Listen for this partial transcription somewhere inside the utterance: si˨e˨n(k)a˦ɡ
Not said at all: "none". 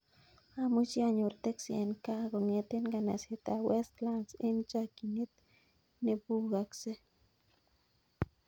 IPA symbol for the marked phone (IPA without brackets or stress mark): k